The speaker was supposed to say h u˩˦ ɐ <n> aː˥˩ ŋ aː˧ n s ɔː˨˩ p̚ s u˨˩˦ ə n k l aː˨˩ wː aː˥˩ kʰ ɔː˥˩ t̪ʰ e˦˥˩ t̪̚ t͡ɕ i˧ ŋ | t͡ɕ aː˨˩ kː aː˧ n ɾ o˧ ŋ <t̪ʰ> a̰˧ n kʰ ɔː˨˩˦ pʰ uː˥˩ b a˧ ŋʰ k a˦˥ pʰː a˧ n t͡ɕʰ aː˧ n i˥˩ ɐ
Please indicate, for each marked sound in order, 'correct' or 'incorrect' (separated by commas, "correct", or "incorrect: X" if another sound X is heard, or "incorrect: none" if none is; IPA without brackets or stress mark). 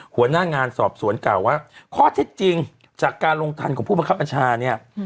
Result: correct, correct